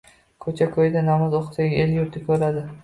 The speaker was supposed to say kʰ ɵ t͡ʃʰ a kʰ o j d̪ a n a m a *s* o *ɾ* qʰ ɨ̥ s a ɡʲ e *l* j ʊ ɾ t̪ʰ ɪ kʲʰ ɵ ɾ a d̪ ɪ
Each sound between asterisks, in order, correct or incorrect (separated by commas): incorrect, incorrect, correct